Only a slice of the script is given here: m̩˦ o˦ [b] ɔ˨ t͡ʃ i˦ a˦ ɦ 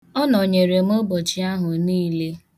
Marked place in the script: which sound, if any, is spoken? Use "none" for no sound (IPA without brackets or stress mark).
b